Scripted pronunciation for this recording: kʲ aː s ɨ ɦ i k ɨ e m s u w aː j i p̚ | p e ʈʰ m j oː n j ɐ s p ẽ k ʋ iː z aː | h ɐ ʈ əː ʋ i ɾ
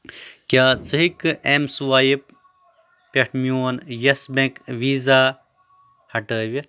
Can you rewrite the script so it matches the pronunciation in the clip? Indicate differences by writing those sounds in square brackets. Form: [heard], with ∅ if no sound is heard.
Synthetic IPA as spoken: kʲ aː [t͡s] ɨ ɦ i k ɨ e m s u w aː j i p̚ | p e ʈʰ m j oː n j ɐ s [b] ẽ k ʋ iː z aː | h ɐ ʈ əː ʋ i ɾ